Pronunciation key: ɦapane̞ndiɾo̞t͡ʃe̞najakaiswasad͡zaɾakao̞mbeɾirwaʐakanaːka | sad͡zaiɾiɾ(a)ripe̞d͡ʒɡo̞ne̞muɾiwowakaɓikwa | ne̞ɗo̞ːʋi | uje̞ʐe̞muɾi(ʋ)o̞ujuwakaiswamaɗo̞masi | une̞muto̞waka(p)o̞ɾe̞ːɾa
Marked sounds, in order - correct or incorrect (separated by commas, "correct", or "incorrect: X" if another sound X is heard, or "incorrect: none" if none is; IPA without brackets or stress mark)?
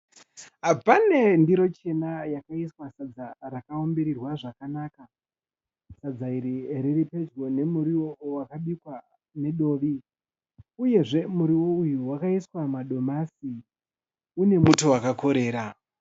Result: incorrect: i, incorrect: w, incorrect: k